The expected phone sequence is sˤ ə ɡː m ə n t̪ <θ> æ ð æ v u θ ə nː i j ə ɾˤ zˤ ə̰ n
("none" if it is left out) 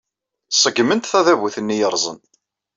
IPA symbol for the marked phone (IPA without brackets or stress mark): θ